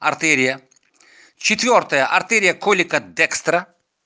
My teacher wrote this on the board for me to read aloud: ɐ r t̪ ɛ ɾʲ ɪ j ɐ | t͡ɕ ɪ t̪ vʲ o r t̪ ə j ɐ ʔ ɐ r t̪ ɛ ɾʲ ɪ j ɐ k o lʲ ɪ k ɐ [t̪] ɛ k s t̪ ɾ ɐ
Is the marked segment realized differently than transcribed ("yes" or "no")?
yes